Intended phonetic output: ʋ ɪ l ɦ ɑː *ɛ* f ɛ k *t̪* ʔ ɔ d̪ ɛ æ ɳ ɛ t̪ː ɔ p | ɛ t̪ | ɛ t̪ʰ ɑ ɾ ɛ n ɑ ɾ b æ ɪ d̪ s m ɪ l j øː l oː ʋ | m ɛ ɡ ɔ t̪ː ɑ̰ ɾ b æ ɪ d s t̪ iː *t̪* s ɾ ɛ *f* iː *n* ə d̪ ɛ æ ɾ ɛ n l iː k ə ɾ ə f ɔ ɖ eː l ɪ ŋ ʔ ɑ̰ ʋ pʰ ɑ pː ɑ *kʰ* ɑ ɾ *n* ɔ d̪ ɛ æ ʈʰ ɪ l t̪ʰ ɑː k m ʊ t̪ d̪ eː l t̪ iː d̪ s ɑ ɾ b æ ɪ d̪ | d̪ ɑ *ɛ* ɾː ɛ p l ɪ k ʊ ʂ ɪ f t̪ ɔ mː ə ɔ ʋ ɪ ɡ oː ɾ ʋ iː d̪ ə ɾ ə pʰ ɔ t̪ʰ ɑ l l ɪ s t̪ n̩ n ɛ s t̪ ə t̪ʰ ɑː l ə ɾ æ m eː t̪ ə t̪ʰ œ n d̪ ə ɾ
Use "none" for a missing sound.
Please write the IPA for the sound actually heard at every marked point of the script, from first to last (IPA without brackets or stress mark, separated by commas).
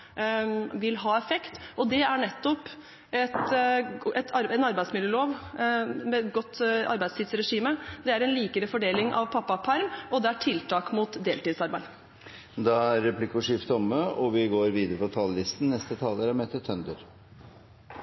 ɛ, t̪, d̪, ʂ, m, pʰ, m, æ